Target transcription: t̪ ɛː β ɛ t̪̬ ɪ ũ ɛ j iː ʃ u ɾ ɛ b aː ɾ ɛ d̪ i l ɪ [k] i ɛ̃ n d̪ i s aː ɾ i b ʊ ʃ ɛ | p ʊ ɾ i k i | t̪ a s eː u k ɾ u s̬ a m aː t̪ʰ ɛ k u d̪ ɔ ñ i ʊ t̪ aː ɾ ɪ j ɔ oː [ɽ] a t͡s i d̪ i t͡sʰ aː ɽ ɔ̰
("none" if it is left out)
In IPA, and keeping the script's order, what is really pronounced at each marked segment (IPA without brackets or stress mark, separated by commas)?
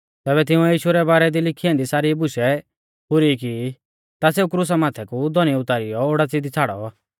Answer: kʰ, ɽ